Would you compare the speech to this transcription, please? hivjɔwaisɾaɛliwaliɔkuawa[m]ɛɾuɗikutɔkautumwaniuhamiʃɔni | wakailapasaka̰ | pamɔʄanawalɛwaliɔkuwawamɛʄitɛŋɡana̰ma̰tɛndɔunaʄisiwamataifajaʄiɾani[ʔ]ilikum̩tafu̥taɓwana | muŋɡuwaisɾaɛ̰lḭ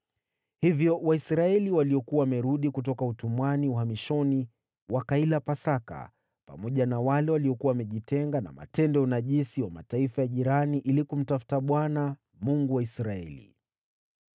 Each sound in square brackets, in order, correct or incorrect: correct, correct

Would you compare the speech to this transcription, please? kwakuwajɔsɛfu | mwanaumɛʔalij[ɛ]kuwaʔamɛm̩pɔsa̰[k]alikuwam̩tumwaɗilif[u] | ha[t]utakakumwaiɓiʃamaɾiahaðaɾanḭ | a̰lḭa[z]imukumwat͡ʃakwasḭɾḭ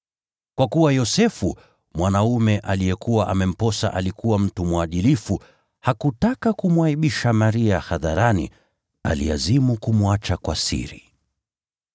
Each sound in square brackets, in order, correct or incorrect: correct, incorrect: ʔ, correct, incorrect: k, correct

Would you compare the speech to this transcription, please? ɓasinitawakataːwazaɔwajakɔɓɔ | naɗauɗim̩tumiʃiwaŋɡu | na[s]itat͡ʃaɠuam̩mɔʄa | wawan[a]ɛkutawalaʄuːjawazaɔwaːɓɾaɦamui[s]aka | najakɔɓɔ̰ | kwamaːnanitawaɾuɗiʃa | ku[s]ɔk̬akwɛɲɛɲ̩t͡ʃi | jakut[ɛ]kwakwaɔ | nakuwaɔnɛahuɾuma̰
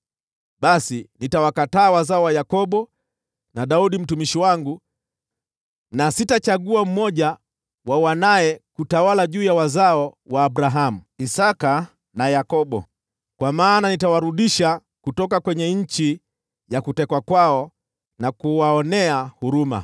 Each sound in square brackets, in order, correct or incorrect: correct, correct, correct, incorrect: t, correct

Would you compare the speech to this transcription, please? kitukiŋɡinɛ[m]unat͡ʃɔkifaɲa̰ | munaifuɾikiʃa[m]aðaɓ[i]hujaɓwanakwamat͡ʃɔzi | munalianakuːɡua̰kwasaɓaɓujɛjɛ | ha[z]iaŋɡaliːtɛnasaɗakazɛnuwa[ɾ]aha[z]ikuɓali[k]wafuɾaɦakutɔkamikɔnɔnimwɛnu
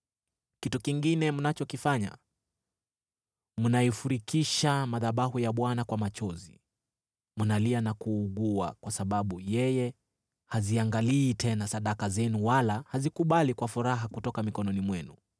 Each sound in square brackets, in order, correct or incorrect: correct, correct, incorrect: a, correct, incorrect: l, correct, correct

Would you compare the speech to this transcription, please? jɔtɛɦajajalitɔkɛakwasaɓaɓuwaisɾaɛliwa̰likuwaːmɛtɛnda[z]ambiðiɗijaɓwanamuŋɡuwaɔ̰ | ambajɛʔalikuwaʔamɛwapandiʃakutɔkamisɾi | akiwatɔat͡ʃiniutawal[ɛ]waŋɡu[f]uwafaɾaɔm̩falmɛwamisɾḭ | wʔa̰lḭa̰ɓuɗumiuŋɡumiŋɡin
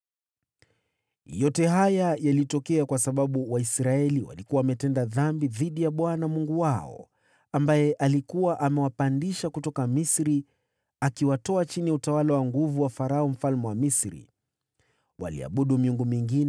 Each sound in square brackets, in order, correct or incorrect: incorrect: ð, incorrect: a, incorrect: v

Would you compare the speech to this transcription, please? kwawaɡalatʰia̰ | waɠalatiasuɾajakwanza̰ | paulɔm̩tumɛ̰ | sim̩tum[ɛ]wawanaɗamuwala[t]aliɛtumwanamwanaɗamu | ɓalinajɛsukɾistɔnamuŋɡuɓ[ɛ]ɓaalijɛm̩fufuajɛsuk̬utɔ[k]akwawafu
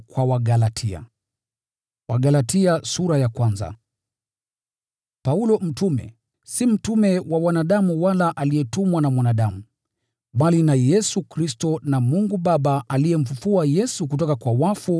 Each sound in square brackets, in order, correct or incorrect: correct, incorrect: ʔ, incorrect: a, correct

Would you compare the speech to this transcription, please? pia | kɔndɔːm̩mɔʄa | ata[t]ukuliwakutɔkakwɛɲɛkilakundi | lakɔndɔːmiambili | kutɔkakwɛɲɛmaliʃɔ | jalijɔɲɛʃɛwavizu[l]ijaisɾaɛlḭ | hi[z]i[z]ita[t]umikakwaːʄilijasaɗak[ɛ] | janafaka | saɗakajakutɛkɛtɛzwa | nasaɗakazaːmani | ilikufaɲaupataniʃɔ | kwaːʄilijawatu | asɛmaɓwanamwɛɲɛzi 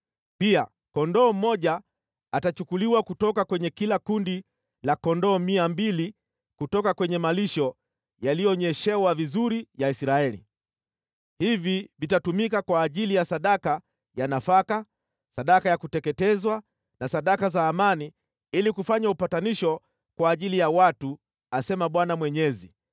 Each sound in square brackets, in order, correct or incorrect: incorrect: t͡ʃ, incorrect: ɾ, incorrect: v, incorrect: v, correct, incorrect: a

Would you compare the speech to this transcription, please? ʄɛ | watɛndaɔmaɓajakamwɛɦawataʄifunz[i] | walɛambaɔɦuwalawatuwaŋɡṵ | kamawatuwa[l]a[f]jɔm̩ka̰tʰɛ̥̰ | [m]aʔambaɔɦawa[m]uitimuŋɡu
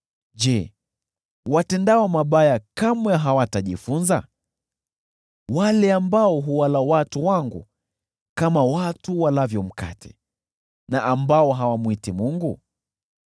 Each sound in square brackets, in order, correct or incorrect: incorrect: a, correct, incorrect: v, incorrect: n, correct

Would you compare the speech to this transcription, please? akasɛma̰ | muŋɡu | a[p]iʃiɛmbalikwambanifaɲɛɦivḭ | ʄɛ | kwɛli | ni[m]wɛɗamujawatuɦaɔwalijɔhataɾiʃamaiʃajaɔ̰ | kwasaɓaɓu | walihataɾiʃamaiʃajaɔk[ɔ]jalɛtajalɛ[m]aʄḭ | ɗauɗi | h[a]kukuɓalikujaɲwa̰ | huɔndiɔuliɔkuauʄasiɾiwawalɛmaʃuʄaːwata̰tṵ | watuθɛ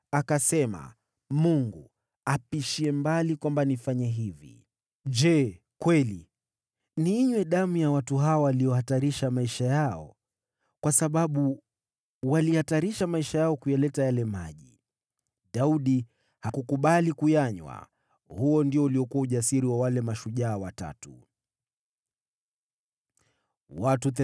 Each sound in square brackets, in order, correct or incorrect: correct, incorrect: ɲ, incorrect: u, correct, correct

